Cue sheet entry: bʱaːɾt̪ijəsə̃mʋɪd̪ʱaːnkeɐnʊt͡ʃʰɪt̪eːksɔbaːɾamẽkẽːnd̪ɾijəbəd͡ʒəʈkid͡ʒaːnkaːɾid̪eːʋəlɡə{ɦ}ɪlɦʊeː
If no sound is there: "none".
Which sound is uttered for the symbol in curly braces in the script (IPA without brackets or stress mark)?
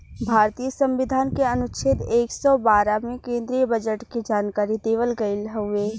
none